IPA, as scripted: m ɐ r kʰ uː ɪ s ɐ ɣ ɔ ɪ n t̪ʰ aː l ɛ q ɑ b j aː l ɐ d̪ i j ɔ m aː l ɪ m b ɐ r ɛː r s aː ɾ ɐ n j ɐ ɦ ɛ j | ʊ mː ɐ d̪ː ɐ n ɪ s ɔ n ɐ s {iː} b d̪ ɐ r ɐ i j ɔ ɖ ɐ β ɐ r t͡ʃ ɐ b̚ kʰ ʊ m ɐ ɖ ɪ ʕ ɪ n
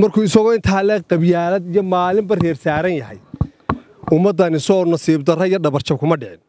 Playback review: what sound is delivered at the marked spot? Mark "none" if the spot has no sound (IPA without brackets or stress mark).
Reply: iː